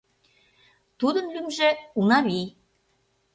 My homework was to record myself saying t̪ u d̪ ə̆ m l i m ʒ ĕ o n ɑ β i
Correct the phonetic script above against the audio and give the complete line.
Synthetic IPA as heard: t̪ u d̪ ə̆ n l y m ʒ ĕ u n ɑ β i